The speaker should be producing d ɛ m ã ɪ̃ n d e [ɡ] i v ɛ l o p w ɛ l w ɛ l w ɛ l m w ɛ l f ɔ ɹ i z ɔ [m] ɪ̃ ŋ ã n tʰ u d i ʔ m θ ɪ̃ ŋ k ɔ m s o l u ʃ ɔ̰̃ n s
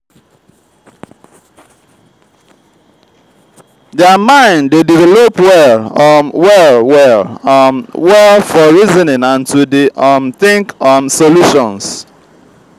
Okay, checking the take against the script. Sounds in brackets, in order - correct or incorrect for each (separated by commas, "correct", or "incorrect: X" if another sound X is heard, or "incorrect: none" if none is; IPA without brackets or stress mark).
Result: incorrect: d, incorrect: n